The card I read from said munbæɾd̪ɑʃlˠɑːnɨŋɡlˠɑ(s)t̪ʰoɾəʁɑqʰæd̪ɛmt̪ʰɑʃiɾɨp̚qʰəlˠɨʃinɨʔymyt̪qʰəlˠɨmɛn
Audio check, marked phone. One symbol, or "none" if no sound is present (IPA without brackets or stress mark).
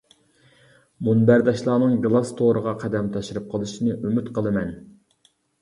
s